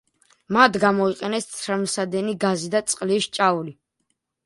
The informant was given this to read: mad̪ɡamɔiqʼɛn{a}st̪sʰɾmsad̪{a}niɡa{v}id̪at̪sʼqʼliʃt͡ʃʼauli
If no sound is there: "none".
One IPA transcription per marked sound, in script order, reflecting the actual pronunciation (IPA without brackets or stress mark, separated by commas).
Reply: ɛ, ɛ, z